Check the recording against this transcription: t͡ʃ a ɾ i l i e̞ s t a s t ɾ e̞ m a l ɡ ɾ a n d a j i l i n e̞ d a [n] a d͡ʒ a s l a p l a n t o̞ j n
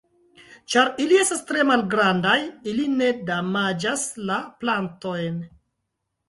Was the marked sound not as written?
yes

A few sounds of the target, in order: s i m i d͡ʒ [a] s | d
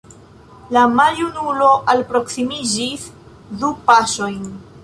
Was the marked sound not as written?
yes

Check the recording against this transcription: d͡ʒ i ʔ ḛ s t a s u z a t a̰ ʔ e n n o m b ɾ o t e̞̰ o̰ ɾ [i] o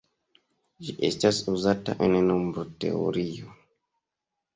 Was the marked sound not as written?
no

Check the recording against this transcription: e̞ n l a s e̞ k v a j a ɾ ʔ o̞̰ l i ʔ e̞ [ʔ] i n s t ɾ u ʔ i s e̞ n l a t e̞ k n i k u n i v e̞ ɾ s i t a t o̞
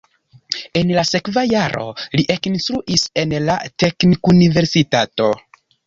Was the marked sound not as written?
yes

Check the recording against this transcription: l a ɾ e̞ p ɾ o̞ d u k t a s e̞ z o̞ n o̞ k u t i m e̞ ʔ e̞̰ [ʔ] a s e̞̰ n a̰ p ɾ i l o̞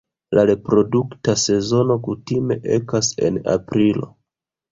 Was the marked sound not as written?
yes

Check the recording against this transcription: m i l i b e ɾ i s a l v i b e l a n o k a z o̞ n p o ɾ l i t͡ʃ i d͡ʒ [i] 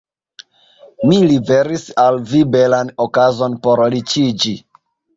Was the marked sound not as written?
no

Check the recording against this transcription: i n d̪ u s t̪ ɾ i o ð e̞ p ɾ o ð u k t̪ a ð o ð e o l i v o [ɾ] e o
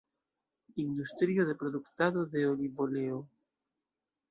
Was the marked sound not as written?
yes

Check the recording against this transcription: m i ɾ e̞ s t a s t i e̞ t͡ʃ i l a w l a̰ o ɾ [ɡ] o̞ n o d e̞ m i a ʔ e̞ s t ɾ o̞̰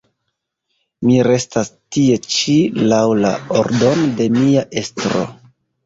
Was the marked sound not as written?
yes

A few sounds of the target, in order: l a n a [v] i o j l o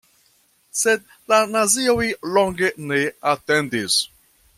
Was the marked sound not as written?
yes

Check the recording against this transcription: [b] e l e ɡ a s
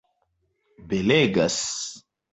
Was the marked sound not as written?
no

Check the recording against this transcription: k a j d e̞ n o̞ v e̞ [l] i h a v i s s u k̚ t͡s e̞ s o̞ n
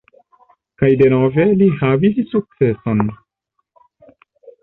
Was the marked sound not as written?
no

